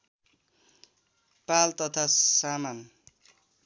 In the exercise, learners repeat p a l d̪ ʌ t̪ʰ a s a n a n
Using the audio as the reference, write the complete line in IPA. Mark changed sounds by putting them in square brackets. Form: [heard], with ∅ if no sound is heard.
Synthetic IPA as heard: p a l [t̪] ʌ t̪ʰ a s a [m] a n